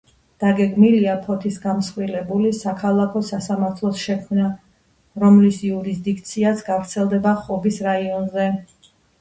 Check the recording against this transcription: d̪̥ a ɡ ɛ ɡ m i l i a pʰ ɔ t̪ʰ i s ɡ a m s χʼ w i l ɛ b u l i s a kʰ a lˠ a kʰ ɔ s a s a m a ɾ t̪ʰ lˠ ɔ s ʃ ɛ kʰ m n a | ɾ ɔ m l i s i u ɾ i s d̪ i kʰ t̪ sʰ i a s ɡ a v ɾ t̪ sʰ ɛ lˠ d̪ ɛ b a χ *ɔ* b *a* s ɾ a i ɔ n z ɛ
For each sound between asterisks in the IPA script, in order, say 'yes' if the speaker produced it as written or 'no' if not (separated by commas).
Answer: yes, no